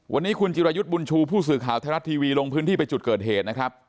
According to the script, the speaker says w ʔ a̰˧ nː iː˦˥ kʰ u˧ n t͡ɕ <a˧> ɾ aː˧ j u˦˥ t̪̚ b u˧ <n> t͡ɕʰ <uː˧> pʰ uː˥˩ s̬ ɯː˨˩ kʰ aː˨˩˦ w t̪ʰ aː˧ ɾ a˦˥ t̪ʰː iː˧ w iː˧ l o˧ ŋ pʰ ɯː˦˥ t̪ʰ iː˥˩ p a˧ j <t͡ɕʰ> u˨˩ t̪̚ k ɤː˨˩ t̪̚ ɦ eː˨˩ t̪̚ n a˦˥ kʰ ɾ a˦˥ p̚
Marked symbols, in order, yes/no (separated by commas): no, yes, yes, no